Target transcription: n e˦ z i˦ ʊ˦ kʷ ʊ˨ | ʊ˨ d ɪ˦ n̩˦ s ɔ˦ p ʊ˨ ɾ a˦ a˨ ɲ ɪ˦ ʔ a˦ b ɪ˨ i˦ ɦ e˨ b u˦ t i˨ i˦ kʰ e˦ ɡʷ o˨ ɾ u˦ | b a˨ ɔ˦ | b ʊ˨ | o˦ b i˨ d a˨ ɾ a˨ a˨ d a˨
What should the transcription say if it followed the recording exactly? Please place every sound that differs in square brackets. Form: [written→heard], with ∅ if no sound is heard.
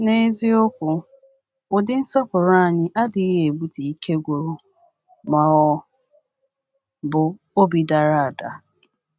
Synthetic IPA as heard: n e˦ z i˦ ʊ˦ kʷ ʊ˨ | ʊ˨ d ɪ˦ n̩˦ s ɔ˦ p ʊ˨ ɾ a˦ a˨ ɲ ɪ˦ ʔ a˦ [b→d] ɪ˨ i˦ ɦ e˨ b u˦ t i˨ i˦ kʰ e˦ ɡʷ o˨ ɾ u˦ | [b→m] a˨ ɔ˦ | b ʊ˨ | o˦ b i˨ d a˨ ɾ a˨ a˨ d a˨